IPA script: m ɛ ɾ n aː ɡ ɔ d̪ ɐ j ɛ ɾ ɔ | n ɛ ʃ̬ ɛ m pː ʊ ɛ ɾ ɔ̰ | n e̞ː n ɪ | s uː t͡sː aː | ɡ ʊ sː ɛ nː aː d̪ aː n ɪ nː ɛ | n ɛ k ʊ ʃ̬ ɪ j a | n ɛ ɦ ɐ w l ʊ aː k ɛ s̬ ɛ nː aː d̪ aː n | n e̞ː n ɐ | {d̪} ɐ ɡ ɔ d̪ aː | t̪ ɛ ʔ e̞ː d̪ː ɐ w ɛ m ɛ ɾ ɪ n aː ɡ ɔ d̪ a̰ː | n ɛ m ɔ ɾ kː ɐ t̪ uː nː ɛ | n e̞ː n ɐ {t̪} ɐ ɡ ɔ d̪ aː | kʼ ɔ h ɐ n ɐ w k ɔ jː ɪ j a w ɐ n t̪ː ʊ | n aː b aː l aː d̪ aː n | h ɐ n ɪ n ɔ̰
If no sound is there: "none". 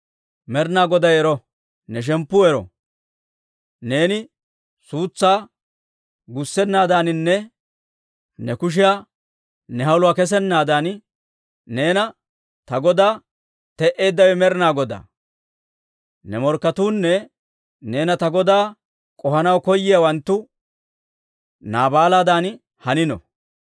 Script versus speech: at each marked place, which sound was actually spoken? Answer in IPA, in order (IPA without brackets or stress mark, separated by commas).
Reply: t̪, t̪